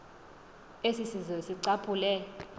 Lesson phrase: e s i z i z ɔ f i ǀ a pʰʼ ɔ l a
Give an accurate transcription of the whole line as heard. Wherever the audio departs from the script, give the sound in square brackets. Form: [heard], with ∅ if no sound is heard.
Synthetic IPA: e s i [s] i z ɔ [s] i ǀ a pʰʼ [u] l [ɛ]